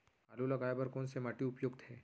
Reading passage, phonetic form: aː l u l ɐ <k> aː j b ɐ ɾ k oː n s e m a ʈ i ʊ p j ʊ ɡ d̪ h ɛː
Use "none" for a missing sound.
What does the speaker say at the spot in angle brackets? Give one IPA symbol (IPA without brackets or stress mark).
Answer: ɡ